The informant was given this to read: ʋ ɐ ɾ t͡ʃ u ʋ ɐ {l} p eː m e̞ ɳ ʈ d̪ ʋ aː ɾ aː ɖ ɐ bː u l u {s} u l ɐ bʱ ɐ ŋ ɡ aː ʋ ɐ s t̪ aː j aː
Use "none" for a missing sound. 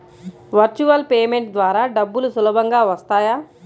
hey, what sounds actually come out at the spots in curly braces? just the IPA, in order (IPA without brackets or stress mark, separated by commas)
l, s